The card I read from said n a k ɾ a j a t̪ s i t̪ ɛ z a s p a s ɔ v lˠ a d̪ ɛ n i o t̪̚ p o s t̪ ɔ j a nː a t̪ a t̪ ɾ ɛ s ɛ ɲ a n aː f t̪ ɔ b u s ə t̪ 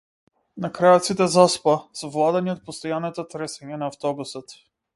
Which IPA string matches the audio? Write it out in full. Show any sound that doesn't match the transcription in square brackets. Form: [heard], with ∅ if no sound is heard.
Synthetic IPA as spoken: n a k ɾ a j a t̪ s i t̪ ɛ z a s p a s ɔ v lˠ a d̪ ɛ n i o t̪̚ p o s t̪ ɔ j a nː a t̪ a t̪ ɾ ɛ s ɛ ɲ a n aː f t̪ ɔ b u s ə t̪